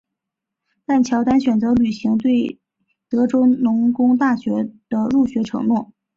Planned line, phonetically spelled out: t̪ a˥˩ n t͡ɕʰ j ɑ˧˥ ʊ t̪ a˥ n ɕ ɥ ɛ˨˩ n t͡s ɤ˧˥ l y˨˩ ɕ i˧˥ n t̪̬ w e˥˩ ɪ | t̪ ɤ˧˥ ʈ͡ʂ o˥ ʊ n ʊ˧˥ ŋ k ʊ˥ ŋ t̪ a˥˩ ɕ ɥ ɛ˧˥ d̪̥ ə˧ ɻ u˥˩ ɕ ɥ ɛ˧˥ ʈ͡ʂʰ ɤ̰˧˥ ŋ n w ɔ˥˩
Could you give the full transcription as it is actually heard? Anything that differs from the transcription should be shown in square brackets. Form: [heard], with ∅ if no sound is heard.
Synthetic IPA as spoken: t̪ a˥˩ n t͡ɕʰ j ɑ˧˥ ʊ t̪ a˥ n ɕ ɥ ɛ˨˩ n t͡s ɤ˧˥ l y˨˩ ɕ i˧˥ [ŋ] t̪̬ w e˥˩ ɪ | t̪ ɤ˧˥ ʈ͡ʂ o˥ ʊ n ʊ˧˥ ŋ k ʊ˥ ŋ t̪ a˥˩ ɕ ɥ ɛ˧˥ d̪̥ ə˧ ɻ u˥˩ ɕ ɥ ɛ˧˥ ʈ͡ʂʰ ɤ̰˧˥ ŋ n w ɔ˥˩